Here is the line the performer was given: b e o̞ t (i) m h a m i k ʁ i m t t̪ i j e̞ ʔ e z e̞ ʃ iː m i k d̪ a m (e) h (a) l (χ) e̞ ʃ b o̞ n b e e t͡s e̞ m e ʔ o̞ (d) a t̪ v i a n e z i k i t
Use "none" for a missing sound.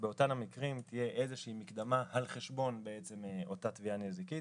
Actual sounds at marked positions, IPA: a, a, a, χ, t

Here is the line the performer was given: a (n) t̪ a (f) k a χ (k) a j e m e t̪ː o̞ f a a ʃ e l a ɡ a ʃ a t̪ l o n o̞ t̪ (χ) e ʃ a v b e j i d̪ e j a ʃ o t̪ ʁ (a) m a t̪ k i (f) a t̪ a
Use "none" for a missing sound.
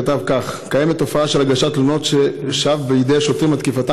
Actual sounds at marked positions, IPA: none, v, k, ʃ, i, f

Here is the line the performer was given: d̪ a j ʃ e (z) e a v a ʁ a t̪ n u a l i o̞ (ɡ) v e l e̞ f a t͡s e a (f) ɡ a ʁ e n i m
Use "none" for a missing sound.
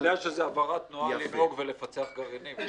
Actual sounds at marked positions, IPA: z, ɡ, χ

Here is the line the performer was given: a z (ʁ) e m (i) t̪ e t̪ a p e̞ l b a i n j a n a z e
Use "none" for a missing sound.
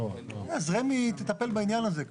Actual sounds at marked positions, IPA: ʁ, i

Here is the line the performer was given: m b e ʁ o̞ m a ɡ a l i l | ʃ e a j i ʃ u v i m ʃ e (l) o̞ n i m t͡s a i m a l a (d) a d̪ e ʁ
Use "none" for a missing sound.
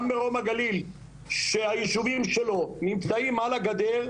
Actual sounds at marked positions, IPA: l, ɡ

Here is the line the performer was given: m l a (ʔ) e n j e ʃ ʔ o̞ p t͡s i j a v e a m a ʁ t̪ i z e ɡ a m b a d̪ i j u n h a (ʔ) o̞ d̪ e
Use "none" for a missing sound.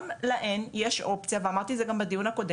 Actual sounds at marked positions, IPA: ʔ, k

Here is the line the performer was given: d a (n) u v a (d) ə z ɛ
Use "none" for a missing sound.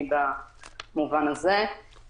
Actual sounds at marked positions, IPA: m, n

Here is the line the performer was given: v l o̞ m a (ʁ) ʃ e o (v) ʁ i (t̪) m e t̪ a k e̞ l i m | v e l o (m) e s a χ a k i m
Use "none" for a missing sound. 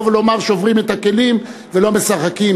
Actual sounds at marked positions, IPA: ʁ, v, none, m

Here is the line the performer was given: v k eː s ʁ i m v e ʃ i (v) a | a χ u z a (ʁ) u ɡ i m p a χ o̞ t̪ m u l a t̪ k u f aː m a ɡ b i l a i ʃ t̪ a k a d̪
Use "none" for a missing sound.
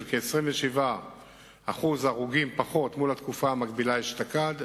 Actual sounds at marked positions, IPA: v, ʁ

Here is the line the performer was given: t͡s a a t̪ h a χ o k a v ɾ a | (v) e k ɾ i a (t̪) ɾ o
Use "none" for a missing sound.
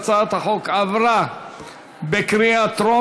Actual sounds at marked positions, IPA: b, t̪

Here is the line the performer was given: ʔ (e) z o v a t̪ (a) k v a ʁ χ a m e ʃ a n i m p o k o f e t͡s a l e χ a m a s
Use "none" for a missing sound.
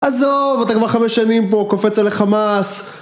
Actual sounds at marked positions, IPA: a, a

